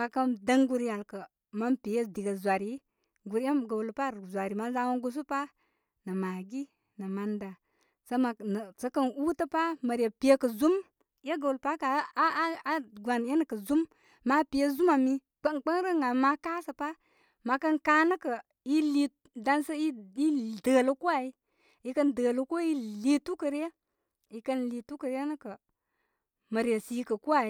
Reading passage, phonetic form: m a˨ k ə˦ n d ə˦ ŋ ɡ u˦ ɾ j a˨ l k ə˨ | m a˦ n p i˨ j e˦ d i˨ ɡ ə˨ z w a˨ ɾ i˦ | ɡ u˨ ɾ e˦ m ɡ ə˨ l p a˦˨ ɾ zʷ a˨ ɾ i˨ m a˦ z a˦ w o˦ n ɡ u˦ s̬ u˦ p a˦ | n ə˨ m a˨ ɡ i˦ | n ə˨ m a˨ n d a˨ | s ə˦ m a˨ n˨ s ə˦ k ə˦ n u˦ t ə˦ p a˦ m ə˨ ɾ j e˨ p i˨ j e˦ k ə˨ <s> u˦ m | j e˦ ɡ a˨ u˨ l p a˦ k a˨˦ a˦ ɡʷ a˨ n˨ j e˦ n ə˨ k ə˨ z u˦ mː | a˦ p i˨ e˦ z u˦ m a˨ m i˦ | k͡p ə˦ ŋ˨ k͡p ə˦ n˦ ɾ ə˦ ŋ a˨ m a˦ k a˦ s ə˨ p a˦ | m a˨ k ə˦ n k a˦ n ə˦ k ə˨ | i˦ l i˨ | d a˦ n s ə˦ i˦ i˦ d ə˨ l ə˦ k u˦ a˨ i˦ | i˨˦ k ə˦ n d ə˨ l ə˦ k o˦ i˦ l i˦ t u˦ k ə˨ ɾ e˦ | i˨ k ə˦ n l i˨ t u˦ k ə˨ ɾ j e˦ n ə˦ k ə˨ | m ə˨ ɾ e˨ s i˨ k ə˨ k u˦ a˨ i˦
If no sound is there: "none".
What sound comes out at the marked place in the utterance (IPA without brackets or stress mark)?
z